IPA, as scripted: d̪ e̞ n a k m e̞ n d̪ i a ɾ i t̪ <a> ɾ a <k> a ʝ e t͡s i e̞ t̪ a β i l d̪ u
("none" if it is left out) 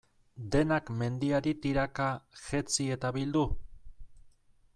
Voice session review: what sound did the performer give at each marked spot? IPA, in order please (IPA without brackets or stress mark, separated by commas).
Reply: i, k